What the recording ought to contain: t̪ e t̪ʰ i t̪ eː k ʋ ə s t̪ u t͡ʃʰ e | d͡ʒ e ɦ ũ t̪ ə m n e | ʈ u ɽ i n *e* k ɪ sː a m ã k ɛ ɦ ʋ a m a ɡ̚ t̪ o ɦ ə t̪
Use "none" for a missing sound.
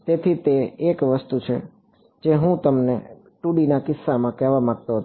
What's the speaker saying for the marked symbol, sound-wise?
a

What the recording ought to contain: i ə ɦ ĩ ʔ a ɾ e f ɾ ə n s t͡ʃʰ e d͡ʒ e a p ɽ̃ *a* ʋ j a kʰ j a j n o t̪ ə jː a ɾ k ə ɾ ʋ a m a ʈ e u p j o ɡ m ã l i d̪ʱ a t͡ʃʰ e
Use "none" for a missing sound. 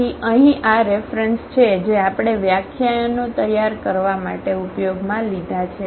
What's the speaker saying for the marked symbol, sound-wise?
e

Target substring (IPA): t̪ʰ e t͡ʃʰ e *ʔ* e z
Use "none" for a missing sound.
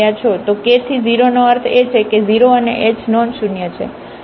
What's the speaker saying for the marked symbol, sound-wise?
k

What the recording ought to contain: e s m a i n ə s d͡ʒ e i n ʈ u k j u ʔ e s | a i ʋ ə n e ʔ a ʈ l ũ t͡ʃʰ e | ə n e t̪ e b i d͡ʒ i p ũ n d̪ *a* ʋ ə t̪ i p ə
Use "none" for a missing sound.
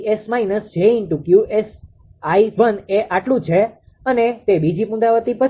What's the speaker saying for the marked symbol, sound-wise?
a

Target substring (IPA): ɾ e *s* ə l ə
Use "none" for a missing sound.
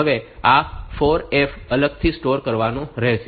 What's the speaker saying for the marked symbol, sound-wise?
f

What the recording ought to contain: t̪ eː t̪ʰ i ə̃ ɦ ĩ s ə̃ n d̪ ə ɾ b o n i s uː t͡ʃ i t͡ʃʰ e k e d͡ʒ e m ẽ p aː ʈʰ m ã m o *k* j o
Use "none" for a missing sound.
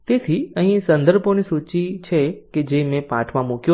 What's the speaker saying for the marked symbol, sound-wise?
k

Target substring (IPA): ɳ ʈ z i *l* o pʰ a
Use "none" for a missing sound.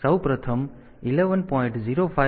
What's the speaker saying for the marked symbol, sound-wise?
ɾ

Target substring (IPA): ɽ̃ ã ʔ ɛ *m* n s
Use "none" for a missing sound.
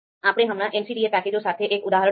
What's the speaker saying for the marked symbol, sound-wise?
none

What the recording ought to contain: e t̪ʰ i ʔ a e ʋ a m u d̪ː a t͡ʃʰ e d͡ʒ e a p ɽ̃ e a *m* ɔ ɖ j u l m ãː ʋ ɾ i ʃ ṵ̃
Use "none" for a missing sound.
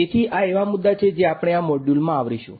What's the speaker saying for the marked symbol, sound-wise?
m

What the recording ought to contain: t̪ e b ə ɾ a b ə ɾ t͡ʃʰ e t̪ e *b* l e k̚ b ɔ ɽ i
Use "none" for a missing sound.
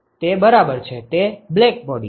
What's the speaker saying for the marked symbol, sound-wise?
b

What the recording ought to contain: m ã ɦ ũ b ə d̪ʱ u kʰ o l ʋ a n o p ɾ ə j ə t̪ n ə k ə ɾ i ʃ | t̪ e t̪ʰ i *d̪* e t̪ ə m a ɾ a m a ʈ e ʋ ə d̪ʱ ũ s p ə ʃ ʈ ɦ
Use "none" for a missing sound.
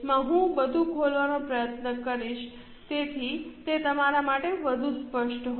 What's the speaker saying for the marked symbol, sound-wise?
t̪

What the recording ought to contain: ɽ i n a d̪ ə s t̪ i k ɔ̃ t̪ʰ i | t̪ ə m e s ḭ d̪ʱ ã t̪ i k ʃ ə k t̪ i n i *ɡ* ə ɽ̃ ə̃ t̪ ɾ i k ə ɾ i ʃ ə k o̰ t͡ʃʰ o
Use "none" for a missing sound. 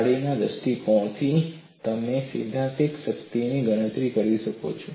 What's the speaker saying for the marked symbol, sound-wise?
ɡ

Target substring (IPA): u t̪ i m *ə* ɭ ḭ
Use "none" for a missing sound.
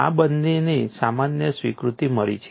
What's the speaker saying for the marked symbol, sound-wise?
ə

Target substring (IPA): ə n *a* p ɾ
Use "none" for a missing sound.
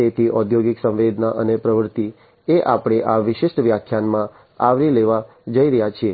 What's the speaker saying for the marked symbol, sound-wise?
e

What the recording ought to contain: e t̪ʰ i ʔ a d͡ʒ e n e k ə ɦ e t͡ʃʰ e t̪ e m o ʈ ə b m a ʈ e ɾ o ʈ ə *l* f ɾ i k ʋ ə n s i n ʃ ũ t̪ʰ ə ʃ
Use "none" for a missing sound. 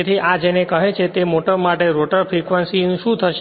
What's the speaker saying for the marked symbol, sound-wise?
ɾ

